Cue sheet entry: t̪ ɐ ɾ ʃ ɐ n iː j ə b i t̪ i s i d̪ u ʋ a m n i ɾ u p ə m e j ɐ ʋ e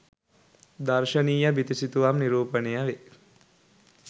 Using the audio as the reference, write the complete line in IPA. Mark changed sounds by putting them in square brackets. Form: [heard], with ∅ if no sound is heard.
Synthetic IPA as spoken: [d̪] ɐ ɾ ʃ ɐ n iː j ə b i t̪ i s i [t̪] u ʋ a m n i ɾ [uː] p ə [n] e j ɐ ʋ e